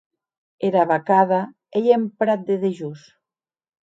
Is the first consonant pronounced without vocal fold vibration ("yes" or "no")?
no